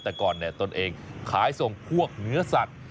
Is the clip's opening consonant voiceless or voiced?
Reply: voiceless